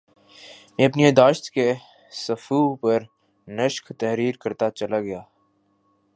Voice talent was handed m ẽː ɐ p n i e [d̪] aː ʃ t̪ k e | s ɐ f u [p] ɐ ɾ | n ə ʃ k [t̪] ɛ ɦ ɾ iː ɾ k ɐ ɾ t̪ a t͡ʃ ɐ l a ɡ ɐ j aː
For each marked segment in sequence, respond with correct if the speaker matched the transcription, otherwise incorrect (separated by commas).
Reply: correct, correct, correct